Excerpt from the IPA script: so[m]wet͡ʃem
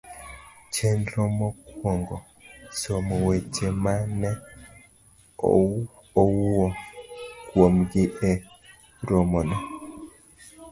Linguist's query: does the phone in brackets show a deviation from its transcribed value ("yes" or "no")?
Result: no